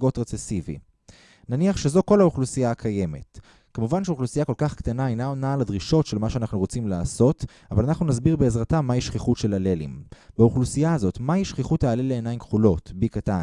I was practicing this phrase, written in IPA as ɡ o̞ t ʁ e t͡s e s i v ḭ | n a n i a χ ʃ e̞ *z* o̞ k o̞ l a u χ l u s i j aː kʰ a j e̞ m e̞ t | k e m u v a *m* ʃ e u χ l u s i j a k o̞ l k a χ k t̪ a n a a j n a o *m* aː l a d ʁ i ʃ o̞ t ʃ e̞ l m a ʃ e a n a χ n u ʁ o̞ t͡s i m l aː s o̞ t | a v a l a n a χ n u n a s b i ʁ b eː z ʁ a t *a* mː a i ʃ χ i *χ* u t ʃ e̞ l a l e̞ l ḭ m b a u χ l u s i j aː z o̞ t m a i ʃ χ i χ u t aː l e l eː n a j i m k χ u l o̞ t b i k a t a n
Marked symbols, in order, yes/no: yes, no, no, yes, yes

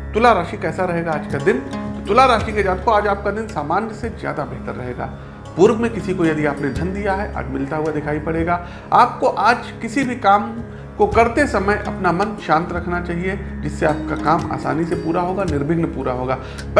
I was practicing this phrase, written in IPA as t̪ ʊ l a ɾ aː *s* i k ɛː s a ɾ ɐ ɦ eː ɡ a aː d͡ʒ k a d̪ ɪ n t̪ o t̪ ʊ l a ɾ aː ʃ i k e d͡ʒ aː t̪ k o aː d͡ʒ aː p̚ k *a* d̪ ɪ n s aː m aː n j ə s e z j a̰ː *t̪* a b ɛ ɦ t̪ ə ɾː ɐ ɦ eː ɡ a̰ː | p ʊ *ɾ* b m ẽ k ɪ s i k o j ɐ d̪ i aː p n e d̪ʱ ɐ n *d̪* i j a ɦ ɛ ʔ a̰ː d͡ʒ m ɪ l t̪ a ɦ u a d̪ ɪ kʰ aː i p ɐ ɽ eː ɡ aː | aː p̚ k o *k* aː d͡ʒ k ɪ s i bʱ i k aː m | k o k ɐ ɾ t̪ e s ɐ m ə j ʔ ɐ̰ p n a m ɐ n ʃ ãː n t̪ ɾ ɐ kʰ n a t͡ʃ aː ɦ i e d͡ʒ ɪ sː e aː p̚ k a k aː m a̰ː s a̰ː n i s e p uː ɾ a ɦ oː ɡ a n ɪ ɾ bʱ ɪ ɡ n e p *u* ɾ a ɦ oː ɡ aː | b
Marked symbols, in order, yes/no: no, yes, no, yes, yes, no, no

